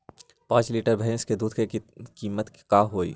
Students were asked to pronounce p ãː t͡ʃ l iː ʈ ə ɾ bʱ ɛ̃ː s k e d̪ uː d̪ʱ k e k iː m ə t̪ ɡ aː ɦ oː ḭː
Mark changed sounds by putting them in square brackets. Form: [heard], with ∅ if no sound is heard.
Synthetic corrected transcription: p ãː t͡ʃ l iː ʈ ə ɾ bʱ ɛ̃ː s k e d̪ uː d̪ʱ k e k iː m ə t̪ [k] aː ɦ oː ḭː